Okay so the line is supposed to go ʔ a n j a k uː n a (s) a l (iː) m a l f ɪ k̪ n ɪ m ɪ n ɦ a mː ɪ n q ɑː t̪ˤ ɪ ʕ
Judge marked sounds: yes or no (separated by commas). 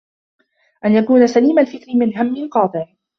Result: yes, yes